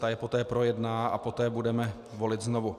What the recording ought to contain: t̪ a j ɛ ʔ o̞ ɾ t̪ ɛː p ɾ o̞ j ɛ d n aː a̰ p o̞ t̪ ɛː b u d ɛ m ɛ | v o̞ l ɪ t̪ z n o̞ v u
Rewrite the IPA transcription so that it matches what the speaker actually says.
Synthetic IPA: t̪ a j ɛ p o̞ t̪ ɛː p ɾ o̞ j ɛ d n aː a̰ p o̞ t̪ ɛː b u d ɛ m ɛ | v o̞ l ɪ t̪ z n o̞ v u